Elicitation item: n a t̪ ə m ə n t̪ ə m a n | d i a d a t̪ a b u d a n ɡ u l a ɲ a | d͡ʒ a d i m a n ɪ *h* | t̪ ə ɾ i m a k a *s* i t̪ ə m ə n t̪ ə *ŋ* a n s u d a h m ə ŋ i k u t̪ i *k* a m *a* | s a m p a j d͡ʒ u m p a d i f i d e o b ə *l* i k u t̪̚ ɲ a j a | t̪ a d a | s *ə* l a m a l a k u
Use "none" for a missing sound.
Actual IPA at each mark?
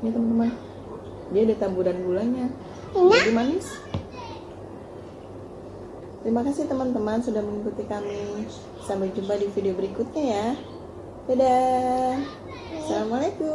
s, s, m, k, i, ɾ, a

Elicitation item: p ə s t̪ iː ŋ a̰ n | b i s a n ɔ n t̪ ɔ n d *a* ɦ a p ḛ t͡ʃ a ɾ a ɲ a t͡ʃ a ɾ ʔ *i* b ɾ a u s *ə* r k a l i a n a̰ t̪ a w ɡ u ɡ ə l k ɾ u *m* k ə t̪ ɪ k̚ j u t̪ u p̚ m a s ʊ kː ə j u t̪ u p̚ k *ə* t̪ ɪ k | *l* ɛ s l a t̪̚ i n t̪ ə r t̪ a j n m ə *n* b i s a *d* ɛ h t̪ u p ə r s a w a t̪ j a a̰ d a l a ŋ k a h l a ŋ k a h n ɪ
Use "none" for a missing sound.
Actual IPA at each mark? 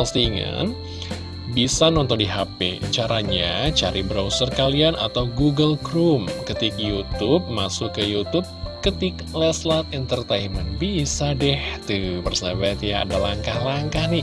i, i, ə, m, ə, l, n, d

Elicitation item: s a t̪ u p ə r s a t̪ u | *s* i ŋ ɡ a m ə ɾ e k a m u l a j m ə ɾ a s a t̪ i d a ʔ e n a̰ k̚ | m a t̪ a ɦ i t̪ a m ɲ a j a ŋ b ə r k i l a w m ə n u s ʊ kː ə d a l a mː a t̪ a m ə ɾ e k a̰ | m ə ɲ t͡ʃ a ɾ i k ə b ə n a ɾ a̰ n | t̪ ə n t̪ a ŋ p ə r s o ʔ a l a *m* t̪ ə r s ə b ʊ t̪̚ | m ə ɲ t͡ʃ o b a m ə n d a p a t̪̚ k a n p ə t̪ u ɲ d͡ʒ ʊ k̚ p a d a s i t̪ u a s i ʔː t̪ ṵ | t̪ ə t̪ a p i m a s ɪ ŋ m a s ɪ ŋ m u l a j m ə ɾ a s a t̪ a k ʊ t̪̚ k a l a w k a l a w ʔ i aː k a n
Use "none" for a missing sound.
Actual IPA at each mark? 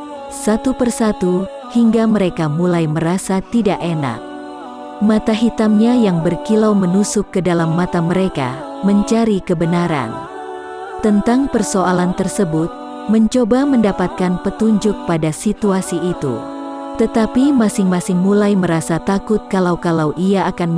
h, n

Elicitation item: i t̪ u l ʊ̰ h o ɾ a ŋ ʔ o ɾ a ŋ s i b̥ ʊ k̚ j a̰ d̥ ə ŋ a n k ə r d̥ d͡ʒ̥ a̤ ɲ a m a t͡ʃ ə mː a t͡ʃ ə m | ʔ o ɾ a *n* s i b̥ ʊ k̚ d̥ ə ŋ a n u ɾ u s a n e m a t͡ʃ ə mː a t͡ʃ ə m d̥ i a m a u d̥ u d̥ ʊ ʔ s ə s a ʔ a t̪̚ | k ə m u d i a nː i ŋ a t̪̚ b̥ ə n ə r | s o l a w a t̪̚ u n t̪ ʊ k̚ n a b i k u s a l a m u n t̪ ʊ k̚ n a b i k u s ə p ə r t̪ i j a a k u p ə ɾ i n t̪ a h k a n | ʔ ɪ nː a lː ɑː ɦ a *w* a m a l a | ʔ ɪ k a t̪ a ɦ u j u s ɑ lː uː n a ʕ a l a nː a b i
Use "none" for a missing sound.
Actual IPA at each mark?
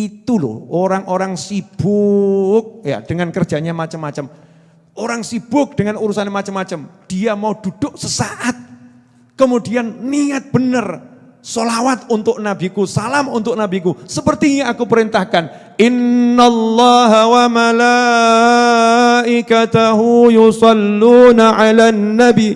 ŋ, w

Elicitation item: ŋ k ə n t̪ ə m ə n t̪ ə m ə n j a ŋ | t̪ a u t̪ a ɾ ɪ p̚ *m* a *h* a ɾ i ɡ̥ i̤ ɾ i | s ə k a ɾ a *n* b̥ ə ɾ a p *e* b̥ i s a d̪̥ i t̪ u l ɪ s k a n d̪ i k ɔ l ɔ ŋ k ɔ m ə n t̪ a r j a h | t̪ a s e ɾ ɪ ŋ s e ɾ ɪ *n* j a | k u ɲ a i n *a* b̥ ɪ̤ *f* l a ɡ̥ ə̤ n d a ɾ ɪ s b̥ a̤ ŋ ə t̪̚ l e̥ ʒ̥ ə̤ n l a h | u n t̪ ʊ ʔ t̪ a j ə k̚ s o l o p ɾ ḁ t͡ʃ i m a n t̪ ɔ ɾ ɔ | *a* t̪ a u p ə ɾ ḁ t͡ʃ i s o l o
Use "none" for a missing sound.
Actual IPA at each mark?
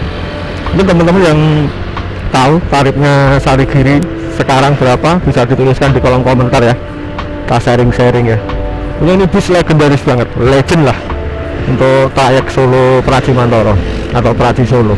ɲ, s, ŋ, a, ŋ, i, s, a

